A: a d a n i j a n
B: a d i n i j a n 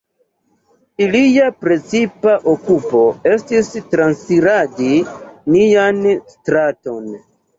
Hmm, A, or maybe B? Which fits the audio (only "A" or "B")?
B